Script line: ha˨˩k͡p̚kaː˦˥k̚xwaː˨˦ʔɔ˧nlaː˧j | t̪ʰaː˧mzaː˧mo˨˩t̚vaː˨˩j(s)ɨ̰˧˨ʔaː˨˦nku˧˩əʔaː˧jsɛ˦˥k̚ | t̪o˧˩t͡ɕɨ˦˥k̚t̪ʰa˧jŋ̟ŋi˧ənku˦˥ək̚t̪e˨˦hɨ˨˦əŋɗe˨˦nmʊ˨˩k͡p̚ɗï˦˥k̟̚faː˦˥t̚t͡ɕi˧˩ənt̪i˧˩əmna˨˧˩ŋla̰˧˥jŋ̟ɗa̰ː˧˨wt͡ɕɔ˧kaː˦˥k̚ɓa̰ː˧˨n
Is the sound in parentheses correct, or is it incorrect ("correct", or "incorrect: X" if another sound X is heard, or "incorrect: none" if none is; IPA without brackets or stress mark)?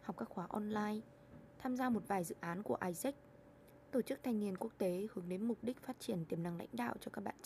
incorrect: z